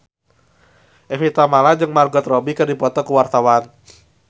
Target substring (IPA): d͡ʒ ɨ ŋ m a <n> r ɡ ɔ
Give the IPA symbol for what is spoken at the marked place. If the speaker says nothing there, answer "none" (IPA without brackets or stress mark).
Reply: none